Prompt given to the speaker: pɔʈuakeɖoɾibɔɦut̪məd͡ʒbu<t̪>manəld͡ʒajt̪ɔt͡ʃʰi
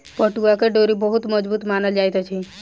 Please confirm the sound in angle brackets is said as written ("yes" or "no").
yes